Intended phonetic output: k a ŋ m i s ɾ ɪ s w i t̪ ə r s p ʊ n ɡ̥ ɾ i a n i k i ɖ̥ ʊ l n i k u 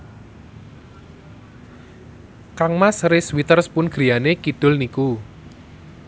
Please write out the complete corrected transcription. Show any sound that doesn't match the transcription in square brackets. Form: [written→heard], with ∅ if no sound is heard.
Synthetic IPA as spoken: k a ŋ m [i→a] s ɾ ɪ s w i t̪ ə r s p ʊ n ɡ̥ ɾ i a n [i→e] k i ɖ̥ ʊ l n i k u